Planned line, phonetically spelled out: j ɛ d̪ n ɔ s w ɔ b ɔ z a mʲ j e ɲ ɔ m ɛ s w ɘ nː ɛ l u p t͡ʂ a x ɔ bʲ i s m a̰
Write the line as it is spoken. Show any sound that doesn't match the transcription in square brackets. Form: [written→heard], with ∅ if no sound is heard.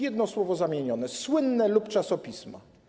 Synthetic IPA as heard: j ɛ d̪ n ɔ s w ɔ [b→v] ɔ z a mʲ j e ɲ ɔ [m→n] ɛ s w ɘ nː ɛ l u p t͡ʂ a [x→s] ɔ [bʲ→pʲ] i s m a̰